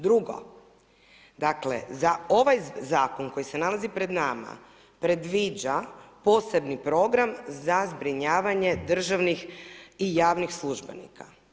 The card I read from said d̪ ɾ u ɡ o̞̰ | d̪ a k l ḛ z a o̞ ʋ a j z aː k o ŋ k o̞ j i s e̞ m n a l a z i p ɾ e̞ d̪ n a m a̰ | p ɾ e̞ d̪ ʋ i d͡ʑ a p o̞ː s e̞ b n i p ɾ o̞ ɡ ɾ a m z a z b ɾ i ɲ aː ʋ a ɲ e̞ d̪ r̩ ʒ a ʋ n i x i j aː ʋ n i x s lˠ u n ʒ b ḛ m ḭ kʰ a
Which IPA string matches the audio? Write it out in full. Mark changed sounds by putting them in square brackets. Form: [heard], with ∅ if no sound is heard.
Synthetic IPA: d̪ ɾ u ɡ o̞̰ | d̪ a k l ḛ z a o̞ ʋ a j z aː k o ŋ k o̞ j i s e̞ [∅] n a l a z i p ɾ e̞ d̪ n a m a̰ | p ɾ e̞ d̪ ʋ i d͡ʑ a p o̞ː s e̞ b n i p ɾ o̞ ɡ ɾ a m z a z b ɾ i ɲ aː ʋ a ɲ e̞ d̪ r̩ ʒ a ʋ n i x i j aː ʋ n i x s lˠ u [∅] ʒ b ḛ [n] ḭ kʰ a

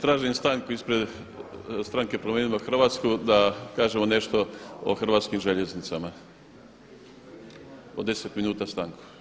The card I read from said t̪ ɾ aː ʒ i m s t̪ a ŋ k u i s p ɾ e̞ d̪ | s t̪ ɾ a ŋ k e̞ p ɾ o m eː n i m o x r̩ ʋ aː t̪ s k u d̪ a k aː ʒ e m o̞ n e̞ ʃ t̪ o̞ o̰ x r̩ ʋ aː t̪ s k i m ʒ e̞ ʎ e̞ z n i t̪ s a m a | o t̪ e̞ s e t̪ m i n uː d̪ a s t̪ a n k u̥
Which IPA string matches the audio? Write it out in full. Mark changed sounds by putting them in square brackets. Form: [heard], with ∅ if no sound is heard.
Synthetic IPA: t̪ ɾ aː ʒ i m s t̪ a ŋ k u i s p ɾ e̞ d̪ | s t̪ ɾ a ŋ k e̞ p ɾ o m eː n i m o x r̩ ʋ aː t̪ s k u d̪ a k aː ʒ e m o̞ n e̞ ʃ t̪ o̞ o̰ x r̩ ʋ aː t̪ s k i m ʒ e̞ ʎ e̞ z n i t̪ s a m a | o [d̪] e̞ s e t̪ m i n uː [t̪] a s t̪ a [ŋ] k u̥

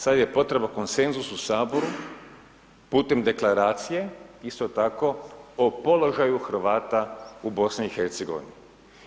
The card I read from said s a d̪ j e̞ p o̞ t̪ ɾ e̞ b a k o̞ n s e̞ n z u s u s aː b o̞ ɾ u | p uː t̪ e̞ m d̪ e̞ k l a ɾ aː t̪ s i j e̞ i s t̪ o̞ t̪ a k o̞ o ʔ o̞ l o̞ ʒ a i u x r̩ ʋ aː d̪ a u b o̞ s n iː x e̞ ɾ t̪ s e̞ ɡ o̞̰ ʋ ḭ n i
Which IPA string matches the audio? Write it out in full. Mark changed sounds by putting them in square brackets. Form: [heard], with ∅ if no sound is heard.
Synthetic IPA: s a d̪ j e̞ p o̞ t̪ ɾ e̞ b a k o̞ n s e̞ n z u s u s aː b o̞ ɾ u | p uː t̪ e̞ m d̪ e̞ k l a ɾ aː t̪ s i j e̞ i s t̪ o̞ t̪ a k o̞ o [p] o̞ l o̞ ʒ a [j] u x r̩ ʋ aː [t̪] a u b o̞ s n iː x e̞ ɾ t̪ s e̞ ɡ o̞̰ ʋ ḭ n i

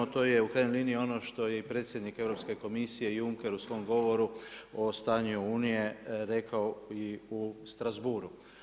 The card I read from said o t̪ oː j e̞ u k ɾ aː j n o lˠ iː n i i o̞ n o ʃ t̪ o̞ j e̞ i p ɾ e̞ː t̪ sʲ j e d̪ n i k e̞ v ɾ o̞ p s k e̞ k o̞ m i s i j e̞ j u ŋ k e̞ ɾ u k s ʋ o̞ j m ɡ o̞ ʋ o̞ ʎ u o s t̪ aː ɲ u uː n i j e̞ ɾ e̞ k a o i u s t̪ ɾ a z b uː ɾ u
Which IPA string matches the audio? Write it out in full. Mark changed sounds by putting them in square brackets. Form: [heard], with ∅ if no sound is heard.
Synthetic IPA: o t̪ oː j e̞ u k ɾ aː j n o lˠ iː n i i o̞ n o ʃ t̪ o̞ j e̞ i p ɾ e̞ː t̪ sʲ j e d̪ n i k e̞ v ɾ o̞ p s k e̞ k o̞ m i s i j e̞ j u ŋ k e̞ ɾ u [∅] s ʋ o̞ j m ɡ o̞ ʋ o̞ [ɾ] u o s t̪ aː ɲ u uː n i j e̞ ɾ e̞ k a o i u s t̪ ɾ a z b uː ɾ u

